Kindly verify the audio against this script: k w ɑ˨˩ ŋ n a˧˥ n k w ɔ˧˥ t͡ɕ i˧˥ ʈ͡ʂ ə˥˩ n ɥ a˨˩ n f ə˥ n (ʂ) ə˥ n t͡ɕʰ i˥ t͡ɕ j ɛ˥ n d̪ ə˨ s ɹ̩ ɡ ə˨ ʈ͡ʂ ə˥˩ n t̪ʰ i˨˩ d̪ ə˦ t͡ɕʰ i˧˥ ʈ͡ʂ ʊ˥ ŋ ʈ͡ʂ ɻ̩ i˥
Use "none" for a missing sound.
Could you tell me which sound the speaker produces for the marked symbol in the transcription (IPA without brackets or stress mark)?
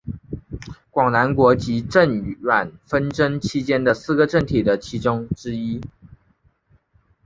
ʈ͡ʂ